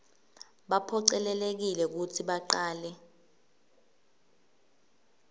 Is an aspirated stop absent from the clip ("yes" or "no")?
no